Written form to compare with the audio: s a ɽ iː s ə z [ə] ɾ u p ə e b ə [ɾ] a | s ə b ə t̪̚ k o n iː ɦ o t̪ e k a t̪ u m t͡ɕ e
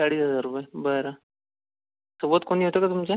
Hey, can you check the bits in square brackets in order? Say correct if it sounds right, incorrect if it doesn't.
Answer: incorrect: a, correct

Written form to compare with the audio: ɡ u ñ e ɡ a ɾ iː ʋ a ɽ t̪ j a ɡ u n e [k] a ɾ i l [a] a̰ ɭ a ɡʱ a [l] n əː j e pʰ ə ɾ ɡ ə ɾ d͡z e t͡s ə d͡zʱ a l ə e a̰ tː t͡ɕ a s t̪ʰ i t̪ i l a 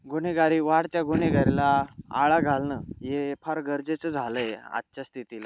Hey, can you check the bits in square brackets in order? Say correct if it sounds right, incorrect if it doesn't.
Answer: incorrect: ɡ, correct, correct

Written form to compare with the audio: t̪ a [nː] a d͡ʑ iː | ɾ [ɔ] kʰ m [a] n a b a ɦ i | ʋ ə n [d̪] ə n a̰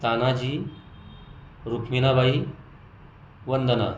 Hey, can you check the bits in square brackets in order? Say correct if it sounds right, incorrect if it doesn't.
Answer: incorrect: n, incorrect: u, incorrect: i, correct

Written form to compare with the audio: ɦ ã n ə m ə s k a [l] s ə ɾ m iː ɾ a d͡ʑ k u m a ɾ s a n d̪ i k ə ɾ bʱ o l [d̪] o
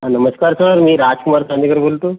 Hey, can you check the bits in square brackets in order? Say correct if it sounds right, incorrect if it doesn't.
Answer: incorrect: ɾ, incorrect: t̪

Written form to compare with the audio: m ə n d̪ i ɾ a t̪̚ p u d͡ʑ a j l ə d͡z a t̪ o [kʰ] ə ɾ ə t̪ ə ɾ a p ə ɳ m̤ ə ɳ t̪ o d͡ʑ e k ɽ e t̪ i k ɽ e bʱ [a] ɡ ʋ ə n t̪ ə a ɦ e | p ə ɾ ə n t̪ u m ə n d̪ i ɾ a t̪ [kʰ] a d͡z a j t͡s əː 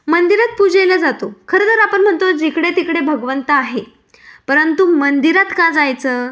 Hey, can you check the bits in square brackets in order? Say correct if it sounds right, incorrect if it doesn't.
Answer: correct, incorrect: ə, incorrect: k

